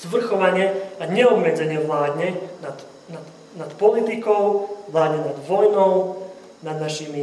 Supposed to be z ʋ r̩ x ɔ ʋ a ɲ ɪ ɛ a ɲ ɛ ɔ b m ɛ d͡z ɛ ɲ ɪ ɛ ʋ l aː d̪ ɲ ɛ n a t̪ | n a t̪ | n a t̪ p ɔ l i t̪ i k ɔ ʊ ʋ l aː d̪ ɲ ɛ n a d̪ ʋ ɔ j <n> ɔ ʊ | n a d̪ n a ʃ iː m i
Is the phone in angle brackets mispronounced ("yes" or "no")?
no